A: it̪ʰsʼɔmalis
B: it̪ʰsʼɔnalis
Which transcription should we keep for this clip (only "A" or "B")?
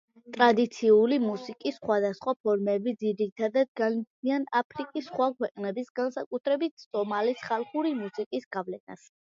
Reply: A